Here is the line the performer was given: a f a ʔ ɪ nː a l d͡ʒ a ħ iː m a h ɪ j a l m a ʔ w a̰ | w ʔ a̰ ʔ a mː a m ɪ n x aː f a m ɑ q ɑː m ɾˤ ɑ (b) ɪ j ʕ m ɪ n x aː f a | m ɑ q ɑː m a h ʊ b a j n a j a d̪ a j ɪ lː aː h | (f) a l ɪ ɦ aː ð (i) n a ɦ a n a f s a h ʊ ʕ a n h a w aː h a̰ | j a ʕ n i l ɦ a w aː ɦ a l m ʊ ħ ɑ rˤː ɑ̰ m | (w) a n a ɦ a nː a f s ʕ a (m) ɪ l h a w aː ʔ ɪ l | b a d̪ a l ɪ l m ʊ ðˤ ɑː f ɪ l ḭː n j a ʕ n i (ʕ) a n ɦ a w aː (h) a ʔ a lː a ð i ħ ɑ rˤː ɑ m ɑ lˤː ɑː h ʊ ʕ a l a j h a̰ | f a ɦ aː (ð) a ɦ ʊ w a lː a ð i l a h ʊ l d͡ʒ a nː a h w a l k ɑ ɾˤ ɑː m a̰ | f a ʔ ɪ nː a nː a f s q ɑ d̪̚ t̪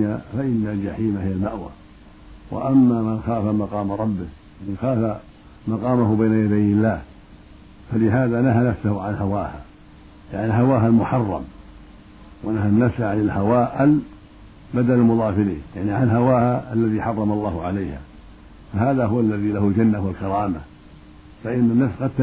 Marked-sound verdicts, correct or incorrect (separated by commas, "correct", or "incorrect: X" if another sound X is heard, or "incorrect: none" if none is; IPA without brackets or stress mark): incorrect: bː, correct, incorrect: a, correct, incorrect: n, correct, correct, correct